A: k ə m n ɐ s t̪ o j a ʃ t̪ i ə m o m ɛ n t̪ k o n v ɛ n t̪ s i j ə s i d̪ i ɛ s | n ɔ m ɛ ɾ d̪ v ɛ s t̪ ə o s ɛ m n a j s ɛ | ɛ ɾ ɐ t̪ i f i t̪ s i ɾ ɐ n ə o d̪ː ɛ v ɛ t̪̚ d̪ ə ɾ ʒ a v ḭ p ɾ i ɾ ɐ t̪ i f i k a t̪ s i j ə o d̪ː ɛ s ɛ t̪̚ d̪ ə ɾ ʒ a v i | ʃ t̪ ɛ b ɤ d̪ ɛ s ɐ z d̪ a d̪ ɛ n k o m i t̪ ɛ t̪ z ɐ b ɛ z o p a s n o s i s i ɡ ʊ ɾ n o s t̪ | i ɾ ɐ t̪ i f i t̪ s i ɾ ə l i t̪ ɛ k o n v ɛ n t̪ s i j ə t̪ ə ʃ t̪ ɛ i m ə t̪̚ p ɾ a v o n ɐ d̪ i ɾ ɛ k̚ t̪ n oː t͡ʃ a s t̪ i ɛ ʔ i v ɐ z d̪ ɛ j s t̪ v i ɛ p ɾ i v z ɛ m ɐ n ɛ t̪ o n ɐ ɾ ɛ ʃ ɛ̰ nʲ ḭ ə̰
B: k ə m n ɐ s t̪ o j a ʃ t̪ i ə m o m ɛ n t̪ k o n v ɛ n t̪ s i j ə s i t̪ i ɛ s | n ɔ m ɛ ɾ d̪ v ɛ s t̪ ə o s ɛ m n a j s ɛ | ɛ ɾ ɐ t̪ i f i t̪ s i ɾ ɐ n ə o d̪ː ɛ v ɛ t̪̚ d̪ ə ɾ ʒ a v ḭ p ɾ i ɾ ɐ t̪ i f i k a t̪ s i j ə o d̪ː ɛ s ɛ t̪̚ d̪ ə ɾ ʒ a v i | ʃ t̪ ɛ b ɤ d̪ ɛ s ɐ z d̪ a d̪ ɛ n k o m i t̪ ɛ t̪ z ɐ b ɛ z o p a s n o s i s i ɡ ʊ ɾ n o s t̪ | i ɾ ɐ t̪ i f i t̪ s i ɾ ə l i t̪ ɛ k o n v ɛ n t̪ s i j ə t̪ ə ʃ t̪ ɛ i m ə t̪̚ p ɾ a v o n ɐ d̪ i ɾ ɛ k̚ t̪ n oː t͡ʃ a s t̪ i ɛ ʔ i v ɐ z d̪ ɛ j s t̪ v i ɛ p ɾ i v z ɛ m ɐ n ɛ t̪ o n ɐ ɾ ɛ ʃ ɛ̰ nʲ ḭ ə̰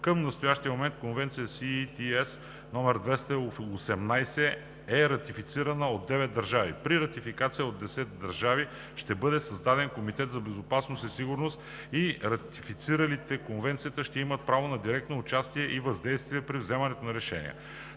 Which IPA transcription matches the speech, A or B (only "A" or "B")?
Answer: B